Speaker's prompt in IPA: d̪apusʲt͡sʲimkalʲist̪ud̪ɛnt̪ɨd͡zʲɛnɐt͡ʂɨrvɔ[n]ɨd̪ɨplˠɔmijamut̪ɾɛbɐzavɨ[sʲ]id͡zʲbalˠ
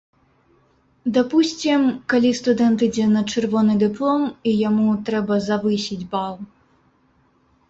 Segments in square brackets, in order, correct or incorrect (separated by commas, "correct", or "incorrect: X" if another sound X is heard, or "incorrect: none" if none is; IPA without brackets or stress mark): correct, correct